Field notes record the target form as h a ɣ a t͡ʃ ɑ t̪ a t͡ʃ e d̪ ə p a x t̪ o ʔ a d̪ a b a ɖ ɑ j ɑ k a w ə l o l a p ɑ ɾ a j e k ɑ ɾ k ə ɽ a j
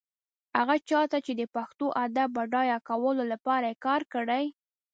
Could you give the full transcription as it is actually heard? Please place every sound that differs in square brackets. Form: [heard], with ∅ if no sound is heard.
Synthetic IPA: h a ɣ a t͡ʃ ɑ t̪ a t͡ʃ e d̪ ə p a x t̪ o ʔ a d̪ a b a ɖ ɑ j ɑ k a w ə l o l a p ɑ ɾ a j e k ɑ ɾ k ə ɽ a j

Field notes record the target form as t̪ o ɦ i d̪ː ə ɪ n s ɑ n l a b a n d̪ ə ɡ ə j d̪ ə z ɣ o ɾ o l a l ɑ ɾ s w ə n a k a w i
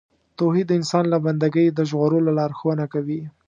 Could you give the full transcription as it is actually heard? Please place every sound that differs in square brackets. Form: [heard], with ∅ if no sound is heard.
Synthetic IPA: t̪ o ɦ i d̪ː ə ɪ n s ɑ n l a b a n d̪ [a] ɡ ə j d̪ ə [ʒ] ɣ o ɾ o l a l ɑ ɾ [x] w ə n a k a w i

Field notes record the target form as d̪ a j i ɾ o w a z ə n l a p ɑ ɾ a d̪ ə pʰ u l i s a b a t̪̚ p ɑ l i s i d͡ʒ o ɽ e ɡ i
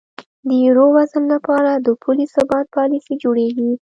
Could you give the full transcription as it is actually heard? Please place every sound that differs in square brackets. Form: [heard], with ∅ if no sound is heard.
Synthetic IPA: d̪ [ə] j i ɾ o w a z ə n l a p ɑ ɾ a d̪ ə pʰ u l i s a b [ɑ] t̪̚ p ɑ l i s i d͡ʒ o ɽ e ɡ i

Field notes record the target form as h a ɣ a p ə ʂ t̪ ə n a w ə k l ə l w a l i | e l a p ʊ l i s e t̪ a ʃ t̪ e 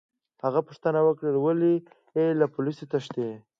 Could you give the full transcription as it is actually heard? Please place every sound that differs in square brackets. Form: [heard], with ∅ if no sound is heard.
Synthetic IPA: h a ɣ a p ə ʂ t̪ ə n a w ə k [ɽ] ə l w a l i | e l a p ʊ l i s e t̪ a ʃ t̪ e

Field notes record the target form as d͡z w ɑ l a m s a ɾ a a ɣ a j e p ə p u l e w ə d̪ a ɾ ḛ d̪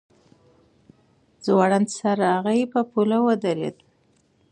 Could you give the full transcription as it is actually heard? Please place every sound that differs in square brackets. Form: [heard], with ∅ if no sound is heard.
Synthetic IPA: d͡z w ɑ [ɽ] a [n] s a ɾ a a ɣ a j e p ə p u l [a] w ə d̪ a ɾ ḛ d̪

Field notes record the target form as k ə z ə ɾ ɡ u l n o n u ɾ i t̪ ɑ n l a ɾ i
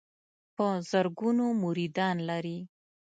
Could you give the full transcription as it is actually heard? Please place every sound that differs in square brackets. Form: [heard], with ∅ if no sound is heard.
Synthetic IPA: [p] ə z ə ɾ ɡ u [∅] n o [m] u ɾ i [d̪] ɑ n l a ɾ i

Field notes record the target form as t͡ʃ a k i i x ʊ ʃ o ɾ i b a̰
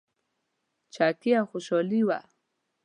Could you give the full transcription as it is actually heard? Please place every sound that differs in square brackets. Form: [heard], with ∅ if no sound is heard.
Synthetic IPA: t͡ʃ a k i [a] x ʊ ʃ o [l] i [w] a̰

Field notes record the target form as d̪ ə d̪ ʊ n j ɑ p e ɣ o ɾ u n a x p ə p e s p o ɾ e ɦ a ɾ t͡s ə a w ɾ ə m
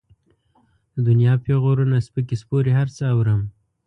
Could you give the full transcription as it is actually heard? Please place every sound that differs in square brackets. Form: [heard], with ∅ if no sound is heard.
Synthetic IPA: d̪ ə d̪ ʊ n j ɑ p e ɣ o ɾ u n a [s] p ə [k] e s p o ɾ e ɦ a ɾ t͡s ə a w ɾ ə m

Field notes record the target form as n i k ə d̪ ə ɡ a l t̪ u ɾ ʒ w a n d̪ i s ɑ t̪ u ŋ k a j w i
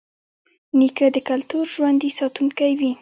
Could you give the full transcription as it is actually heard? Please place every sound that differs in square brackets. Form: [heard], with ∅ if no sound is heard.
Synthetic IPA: n i k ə d̪ ə [k] a l t̪ u ɾ ʒ w a n d̪ i s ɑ t̪ u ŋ k a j w i

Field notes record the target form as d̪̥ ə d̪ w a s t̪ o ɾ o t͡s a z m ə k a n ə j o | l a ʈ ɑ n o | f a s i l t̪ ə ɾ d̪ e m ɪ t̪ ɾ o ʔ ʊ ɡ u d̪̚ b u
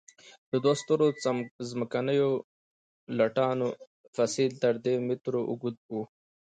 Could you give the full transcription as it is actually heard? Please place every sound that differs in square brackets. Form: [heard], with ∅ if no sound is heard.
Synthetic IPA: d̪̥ ə d̪ w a s t̪ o ɾ o t͡s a z m ə k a n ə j o | l a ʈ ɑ n o | f a s i l t̪ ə ɾ d̪ e m ɪ t̪ ɾ o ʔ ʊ ɡ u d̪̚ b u

